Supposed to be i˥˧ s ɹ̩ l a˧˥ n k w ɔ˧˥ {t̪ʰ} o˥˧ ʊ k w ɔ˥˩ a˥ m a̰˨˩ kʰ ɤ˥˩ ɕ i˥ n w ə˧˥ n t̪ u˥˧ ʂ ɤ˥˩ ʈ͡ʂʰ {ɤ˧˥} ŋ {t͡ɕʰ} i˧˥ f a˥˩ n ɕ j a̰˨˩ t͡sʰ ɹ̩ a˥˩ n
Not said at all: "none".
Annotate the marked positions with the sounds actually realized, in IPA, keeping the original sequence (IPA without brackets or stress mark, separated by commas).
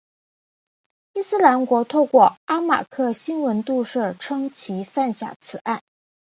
t̪ʰ, ɤ˥, t͡ɕʰ